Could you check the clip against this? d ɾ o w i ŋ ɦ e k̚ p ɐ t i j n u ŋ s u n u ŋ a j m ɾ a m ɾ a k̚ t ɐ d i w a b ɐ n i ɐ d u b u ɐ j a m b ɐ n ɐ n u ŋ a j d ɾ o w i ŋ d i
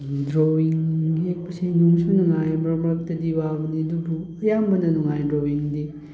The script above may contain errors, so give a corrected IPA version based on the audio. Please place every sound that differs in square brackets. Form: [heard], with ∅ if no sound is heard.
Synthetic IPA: d ɾ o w i ŋ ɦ e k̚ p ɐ [s] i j n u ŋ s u n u ŋ a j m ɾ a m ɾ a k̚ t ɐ d i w a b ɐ n i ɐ d u b u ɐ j a m b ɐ n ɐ n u ŋ a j d ɾ o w i ŋ d i